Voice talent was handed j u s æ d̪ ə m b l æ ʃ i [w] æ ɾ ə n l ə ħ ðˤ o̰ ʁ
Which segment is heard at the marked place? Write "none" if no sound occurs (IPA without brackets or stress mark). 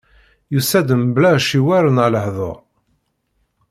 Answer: w